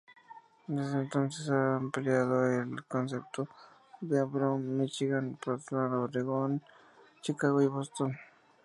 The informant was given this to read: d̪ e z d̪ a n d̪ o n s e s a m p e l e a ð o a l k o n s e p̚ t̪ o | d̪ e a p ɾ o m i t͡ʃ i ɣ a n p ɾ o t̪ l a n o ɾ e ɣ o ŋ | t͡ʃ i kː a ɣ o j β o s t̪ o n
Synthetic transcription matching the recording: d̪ e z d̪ e n t̪ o n s e s a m p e l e a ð o e l k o n s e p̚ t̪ o | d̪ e a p ɾ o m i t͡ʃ i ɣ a n p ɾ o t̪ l a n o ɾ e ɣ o n | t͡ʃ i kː a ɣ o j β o s t̪ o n